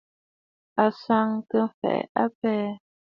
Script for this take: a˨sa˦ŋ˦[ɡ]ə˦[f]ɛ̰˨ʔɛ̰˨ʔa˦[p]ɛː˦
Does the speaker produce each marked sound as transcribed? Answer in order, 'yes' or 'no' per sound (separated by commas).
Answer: no, yes, yes